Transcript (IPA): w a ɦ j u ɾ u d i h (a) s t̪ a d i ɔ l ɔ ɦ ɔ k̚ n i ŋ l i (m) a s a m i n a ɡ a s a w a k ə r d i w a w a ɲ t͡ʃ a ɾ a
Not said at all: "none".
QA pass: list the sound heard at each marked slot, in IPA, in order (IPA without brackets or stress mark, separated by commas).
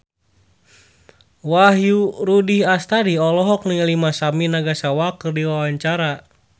a, m